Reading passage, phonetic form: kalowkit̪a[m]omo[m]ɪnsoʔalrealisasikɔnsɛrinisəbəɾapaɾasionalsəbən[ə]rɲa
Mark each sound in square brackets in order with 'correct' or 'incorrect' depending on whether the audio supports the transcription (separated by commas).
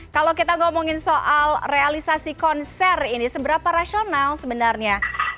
incorrect, incorrect, incorrect